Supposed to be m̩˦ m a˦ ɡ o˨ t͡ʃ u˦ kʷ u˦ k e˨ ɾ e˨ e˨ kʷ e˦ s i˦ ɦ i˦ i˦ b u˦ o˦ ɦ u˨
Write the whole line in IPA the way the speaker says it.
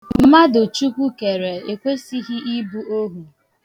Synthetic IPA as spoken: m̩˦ m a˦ d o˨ t͡ʃ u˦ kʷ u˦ k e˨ ɾ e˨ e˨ kʷ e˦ s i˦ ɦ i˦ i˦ b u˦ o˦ ɦ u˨